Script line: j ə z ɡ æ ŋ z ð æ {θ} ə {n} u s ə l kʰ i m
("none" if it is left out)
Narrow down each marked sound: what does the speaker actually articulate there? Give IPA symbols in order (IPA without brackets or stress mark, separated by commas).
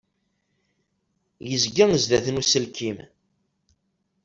θ, n